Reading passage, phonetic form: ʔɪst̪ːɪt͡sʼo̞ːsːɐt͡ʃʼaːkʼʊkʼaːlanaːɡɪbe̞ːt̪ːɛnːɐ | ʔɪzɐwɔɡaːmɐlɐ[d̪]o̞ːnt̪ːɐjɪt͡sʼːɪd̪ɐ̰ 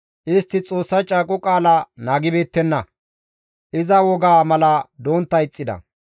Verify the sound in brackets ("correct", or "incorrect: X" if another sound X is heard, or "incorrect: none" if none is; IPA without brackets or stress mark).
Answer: correct